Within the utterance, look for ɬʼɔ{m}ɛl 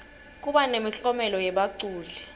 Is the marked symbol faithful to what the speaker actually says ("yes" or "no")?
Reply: yes